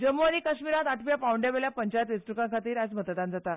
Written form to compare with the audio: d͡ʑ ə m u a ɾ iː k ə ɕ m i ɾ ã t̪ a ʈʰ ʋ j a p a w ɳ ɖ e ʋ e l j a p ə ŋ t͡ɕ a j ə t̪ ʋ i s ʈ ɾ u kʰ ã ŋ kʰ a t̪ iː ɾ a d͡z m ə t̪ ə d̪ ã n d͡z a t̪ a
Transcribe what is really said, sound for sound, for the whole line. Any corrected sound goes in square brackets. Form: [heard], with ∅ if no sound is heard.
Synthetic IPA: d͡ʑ ə m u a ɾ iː k ə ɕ m i ɾ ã t̪ a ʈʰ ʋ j a p a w ɳ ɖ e ʋ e l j a p ə [ɲ] t͡ɕ a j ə t̪ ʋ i s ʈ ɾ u [k] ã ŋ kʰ a t̪ iː ɾ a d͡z m ə t̪ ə d̪ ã n d͡z a t̪ a